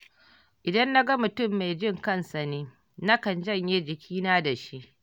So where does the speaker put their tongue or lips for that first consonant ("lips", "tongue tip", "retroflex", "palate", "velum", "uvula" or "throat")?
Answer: throat